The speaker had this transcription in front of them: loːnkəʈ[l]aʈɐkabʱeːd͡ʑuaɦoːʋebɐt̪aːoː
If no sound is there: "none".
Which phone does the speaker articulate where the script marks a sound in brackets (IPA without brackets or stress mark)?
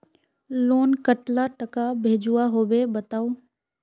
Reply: l